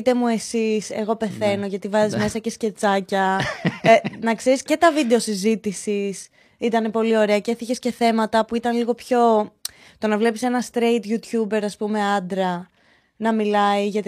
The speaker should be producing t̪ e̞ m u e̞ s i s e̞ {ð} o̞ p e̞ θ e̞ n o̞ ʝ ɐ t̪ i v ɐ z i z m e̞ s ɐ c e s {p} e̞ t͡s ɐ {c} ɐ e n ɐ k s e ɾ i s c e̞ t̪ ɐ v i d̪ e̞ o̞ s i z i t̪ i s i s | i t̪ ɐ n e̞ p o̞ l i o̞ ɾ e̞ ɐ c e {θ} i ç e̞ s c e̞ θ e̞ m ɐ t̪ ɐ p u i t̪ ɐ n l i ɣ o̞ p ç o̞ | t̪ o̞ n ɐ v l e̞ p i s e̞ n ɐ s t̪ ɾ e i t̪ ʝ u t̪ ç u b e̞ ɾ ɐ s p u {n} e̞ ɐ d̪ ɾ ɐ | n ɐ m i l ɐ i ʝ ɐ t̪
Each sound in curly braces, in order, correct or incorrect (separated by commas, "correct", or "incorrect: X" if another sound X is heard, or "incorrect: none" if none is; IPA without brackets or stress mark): incorrect: ɣ, incorrect: c, correct, correct, incorrect: m